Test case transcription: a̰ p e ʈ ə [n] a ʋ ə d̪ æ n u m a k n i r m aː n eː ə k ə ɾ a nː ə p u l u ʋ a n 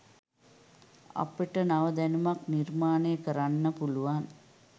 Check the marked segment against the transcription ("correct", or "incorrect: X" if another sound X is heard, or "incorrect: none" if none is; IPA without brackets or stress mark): correct